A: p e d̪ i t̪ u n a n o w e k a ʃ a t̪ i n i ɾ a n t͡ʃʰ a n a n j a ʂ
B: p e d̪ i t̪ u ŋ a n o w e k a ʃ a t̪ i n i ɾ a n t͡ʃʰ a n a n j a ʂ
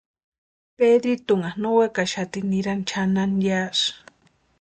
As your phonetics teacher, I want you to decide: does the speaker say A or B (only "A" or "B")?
B